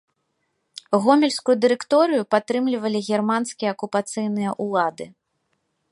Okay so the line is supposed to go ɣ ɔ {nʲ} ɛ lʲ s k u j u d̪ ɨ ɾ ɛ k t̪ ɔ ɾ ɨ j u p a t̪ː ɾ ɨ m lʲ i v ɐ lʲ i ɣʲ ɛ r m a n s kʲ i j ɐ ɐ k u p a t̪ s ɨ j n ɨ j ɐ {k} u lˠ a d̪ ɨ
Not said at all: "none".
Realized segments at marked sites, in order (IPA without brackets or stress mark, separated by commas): mʲ, ʔ